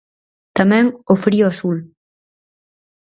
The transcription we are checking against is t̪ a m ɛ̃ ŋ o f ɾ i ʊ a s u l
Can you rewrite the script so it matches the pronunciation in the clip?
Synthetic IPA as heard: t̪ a m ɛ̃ ŋ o f ɾ i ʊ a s u l